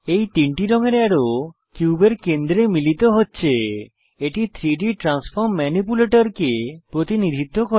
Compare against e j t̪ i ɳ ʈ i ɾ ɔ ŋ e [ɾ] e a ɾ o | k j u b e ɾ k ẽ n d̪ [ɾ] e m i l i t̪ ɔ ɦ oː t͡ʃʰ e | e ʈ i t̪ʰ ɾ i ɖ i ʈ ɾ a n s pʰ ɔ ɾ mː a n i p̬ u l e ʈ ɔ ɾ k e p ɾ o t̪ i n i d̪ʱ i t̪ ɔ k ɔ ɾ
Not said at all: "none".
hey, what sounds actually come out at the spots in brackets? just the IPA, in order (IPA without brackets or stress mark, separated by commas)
ɾ, ɾ